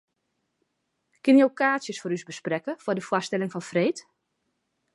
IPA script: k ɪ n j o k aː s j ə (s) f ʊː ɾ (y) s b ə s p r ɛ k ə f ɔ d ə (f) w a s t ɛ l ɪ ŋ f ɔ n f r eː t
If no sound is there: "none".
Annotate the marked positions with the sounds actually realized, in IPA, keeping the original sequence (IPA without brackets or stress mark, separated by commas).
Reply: s, y, f